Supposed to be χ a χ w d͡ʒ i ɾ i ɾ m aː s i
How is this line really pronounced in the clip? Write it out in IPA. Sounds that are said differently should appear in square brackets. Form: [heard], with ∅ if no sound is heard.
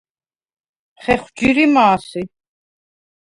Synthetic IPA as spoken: χ [ɛ] χ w d͡ʒ i ɾ i [∅] m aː s i